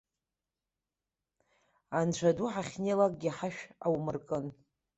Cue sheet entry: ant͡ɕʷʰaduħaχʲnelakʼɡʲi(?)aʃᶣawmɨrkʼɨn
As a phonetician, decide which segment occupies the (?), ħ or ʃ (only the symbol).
ħ